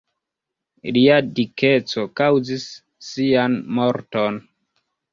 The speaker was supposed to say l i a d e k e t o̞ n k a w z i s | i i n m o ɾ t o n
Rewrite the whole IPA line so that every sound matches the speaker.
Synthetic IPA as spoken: l i a d i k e t͡s o̞ k a w z i sː | i a n m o ɾ t o n